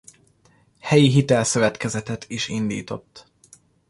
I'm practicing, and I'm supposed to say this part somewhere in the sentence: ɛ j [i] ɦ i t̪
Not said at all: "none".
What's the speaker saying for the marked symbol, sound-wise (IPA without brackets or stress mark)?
i